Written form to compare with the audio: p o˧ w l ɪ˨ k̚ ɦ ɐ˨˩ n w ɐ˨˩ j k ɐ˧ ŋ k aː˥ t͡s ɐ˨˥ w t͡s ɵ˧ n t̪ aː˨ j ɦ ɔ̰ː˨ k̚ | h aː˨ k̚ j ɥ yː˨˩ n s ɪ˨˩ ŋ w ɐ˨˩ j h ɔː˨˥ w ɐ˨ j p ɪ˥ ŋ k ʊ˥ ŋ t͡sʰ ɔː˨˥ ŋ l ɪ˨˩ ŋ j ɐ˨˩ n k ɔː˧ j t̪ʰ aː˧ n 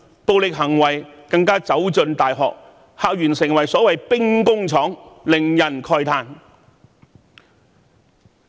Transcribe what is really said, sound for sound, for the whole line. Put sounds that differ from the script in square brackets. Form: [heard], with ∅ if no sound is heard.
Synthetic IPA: p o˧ w l ɪ˨ k̚ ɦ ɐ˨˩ [ŋ] w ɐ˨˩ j k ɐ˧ ŋ k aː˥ t͡s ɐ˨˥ w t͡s ɵ˧ n t̪ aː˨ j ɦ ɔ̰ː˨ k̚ | h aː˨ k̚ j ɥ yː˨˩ n s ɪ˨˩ ŋ w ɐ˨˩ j [s] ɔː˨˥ w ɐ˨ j p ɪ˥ ŋ k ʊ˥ ŋ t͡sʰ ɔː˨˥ ŋ l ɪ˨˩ ŋ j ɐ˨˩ n [kʰ] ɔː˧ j t̪ʰ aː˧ n